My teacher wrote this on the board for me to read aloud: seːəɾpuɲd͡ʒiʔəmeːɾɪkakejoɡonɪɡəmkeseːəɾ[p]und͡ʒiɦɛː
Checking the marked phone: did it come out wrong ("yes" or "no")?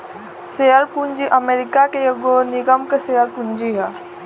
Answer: no